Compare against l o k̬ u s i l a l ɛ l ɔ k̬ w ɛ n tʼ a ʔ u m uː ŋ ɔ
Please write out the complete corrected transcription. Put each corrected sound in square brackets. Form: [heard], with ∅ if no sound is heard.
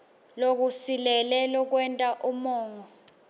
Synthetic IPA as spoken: l o k̬ u s i l [ɛ] l ɛ l ɔ k̬ w ɛ n tʼ a ʔ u m [ɔː] ŋ ɔ